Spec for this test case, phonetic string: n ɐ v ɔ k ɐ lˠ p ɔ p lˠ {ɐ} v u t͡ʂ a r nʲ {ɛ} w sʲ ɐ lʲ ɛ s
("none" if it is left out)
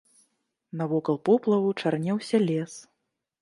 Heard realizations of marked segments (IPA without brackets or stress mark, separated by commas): ɐ, ɛ